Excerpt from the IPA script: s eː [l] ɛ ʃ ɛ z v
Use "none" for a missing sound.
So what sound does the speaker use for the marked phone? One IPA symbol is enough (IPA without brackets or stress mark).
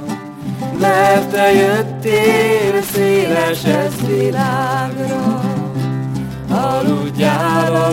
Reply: l